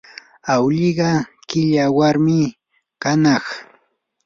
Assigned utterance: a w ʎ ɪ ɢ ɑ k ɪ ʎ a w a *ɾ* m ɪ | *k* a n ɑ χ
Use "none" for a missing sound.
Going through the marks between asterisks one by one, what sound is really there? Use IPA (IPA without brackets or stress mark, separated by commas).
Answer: ɾ, k